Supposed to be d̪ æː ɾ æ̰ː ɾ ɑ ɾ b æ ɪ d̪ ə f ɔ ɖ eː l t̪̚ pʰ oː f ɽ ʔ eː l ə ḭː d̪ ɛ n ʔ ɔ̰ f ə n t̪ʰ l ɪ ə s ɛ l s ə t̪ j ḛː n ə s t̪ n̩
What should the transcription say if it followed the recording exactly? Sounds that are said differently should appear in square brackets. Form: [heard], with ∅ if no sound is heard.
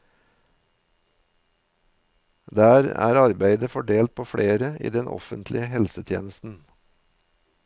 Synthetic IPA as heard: d̪ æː ɾ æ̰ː ɾ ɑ ɾ b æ ɪ d̪ ə f ɔ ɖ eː l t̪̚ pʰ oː f ɽ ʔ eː [ɾ] ə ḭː d̪ ɛ n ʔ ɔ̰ f ə n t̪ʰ l ɪ ə [h] ɛ l s ə [t̪ʰ] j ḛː n ə s t̪ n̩

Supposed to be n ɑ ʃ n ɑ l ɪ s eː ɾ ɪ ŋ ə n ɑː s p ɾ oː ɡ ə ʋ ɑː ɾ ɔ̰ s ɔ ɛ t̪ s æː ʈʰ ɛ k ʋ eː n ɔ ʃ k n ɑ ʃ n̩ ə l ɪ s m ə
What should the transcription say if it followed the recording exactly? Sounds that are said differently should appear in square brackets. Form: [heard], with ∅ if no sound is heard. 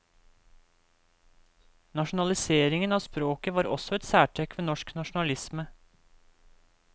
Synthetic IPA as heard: n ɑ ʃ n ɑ l ɪ s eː ɾ ɪ ŋ ə n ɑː s p ɾ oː [k] ə ʋ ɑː ɾ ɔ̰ s ɔ ɛ t̪ s æː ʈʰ ɛ k ʋ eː n ɔ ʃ k n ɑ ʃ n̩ [ɑ] l ɪ s m ə

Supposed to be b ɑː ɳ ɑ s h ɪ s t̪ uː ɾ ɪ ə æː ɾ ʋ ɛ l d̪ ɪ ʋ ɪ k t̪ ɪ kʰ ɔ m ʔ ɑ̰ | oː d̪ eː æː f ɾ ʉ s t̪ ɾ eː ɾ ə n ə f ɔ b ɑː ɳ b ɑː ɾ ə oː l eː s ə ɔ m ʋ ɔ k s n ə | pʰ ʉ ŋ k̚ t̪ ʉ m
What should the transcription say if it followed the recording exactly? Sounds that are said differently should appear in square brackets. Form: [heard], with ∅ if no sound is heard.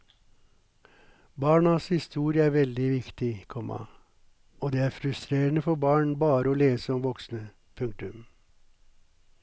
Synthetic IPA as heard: b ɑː ɳ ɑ s h ɪ s t̪ uː ɾ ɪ ə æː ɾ ʋ ɛ l d̪ ɪ ʋ ɪ k t̪ ɪ kʰ ɔ m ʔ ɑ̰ | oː d̪ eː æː f ɾ ʉ s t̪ ɾ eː ɾ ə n ə f ɔ b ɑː ɳ b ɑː ɾ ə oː l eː s ə ɔ m ʋ ɔ k s n ə | pʰ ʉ ŋ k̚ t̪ ʉ m

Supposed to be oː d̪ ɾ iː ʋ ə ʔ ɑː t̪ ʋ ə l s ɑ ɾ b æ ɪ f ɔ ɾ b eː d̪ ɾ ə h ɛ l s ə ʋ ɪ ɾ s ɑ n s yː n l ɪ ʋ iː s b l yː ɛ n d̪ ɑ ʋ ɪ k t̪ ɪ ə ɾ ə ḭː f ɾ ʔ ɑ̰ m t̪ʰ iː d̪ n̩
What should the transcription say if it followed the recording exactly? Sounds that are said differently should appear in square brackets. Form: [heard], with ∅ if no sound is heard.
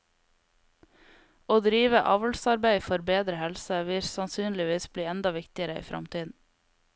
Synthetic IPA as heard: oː d̪ ɾ iː ʋ ə ʔ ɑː [∅] ʋ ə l s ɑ ɾ b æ ɪ f ɔ ɾ b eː d̪ ɾ ə h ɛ l s ə ʋ ɪ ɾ s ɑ n s yː n l ɪ ʋ iː s b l [iː] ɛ n d̪ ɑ ʋ ɪ k t̪ ɪ ə ɾ ə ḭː f ɾ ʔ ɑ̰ m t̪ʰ iː d̪ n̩

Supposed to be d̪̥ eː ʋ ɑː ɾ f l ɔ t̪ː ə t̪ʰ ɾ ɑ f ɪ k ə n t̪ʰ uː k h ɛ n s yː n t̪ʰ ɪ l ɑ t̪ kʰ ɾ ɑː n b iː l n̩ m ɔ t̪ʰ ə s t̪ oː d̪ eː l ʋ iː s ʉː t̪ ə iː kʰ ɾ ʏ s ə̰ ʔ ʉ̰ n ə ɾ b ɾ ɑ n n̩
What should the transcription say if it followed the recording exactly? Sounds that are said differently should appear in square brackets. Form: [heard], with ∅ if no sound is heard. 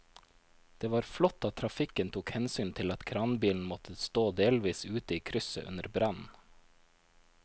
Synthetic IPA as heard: d̪̥ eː ʋ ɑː ɾ f l ɔ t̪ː [ɑ] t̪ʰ ɾ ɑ f ɪ k ə n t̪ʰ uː k h ɛ n s yː n t̪ʰ ɪ l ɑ t̪ kʰ ɾ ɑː n b iː l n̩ m ɔ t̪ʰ ə s t̪ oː d̪ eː l ʋ iː s ʉː t̪ ə iː kʰ ɾ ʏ s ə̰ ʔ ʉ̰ n ə ɾ b ɾ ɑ n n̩

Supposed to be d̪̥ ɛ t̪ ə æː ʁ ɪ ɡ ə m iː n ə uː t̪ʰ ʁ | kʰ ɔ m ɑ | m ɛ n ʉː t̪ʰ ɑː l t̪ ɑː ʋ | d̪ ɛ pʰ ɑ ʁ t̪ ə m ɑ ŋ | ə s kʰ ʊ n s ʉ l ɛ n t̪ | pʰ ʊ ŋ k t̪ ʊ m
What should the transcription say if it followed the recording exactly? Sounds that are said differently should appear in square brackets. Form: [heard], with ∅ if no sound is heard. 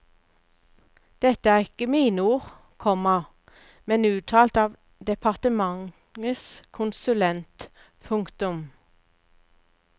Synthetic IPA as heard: d̪̥ ɛ t̪ ə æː ʁ ɪ [k] ə m iː n ə uː [∅] ʁ | kʰ ɔ m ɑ | m ɛ n ʉː t̪ʰ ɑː l t̪ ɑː ʋ | d̪ ɛ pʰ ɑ ʁ t̪ ə m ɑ ŋ | ə s kʰ ʊ n s ʉ l ɛ n t̪ | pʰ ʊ ŋ k t̪ ʊ m

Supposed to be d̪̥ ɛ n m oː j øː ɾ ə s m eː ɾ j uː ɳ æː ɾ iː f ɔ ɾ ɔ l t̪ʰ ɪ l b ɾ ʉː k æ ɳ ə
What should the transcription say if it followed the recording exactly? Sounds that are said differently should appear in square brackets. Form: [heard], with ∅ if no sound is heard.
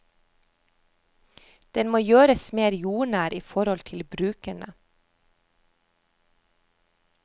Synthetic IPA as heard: d̪̥ ɛ n m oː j øː ɾ ə s m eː ɾ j uː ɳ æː ɾ iː f ɔ ɾ ɔ l t̪ʰ ɪ l b ɾ ʉː k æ ɳ ə

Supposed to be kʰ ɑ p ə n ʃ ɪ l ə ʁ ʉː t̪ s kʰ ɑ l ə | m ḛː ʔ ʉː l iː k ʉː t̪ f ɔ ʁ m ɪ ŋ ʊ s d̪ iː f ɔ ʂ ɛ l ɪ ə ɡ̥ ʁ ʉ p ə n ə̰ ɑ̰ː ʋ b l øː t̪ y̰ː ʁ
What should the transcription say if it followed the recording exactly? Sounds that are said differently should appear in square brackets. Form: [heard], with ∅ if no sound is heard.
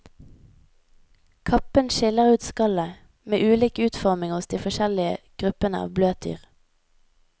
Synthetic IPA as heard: kʰ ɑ p ə n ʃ ɪ l ə ʁ ʉː t̪ s [k] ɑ l ə | m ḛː ʔ ʉː l iː k ʉː t̪ f ɔ ʁ m ɪ ŋ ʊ s d̪ iː f ɔ [ʃ] ɛ l ɪ ə ɡ̥ ʁ ʉ p ə n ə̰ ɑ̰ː ʋ b l øː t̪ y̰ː ʁ

